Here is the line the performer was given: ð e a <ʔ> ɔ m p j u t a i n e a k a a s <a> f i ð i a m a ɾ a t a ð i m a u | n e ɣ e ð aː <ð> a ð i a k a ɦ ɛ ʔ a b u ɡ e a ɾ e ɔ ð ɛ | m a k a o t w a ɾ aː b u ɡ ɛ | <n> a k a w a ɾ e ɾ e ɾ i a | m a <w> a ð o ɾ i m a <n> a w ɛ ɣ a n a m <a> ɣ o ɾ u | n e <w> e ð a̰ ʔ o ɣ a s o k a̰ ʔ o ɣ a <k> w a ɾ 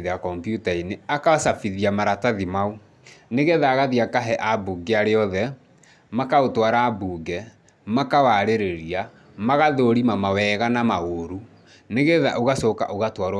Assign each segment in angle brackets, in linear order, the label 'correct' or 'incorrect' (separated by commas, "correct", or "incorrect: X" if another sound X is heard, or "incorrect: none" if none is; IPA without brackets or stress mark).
incorrect: k, correct, incorrect: ɣ, incorrect: m, incorrect: ɣ, incorrect: m, correct, incorrect: ɣ, incorrect: t